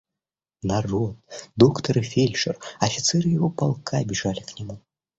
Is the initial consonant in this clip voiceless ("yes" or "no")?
no